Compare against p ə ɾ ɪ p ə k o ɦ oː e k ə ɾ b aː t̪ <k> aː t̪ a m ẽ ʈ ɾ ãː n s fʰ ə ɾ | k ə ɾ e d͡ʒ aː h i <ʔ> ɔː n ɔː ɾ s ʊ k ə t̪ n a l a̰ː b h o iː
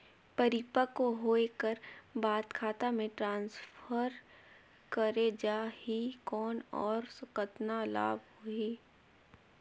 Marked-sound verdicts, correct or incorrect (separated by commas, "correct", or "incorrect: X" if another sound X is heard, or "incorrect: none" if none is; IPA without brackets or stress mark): incorrect: kʰ, incorrect: k